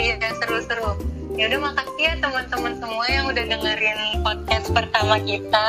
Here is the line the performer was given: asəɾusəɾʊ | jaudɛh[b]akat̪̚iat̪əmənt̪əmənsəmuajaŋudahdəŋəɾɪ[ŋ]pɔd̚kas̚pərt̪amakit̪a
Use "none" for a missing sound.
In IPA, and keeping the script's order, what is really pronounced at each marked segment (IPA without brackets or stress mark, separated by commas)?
m, n